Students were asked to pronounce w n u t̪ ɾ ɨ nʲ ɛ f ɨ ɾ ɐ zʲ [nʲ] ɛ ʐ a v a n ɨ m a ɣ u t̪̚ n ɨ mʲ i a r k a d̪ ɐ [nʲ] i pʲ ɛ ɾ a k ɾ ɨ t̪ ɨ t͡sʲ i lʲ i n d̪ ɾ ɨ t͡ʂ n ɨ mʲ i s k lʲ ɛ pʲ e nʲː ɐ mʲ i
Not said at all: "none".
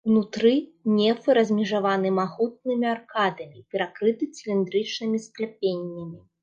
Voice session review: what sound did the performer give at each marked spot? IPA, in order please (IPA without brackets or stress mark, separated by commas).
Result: mʲ, mʲ